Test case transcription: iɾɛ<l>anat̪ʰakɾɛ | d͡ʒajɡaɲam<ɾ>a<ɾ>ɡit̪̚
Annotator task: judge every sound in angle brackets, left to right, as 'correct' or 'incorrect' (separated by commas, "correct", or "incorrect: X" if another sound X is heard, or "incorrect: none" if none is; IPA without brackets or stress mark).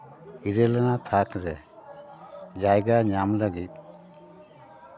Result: correct, incorrect: l, incorrect: none